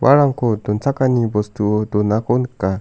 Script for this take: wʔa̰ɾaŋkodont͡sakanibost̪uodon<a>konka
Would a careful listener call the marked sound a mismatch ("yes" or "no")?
no